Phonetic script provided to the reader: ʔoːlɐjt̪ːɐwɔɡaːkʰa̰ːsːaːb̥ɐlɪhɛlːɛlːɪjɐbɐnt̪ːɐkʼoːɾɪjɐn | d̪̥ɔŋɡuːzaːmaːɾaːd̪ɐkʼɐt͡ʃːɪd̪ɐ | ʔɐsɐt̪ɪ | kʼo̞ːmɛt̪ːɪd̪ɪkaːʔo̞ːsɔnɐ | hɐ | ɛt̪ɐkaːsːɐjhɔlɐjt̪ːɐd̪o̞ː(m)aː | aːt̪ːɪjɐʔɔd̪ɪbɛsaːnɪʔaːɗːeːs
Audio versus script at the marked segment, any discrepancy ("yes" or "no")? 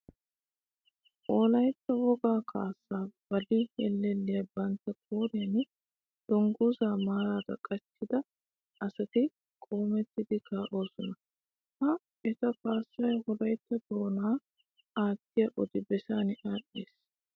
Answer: yes